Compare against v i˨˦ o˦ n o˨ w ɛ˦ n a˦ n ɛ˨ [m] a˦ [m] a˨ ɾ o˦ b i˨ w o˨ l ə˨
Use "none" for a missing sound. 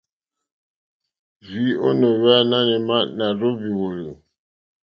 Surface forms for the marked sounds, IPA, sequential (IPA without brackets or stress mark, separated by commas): m, n